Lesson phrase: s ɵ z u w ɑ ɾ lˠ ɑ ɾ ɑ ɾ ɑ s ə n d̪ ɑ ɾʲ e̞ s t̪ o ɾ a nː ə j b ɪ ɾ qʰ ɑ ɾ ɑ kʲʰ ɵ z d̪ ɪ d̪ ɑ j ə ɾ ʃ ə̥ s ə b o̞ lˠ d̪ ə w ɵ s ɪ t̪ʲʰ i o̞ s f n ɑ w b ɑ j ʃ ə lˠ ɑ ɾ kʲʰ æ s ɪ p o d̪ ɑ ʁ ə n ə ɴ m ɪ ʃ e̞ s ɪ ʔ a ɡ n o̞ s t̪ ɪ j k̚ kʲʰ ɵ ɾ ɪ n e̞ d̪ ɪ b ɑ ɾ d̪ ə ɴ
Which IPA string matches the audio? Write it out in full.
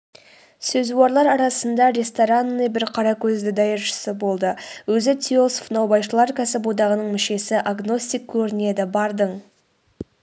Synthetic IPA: s ɵ z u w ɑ ɾ lˠ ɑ ɾ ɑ ɾ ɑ s ə n d̪ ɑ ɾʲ e̞ s t̪ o ɾ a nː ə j b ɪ ɾ qʰ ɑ ɾ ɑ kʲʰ ɵ z d̪ ɪ d̪ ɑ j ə ɾ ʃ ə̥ s ə b o̞ lˠ d̪ ə w ɵ z ɪ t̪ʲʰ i o̞ s f n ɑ w b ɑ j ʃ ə lˠ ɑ ɾ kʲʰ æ s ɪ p o d̪ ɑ ʁ ə n ə ɴ m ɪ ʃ e̞ s ɪ ʔ a ɡ n o̞ s t̪ i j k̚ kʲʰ ɵ ɾ ɪ n e̞ d̪ ɪ b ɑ ɾ d̪ ə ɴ